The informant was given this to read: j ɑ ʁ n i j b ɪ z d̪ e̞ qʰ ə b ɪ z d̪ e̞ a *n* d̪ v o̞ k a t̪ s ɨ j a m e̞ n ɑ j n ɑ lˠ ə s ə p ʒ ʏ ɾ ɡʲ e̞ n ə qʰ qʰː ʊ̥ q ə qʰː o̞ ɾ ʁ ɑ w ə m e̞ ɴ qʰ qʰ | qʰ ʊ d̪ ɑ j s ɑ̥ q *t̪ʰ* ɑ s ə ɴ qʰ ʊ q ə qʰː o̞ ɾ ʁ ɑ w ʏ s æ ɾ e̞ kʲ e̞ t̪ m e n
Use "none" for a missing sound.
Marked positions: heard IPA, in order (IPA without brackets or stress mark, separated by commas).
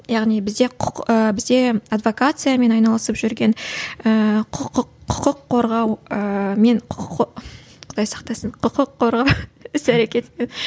none, t̪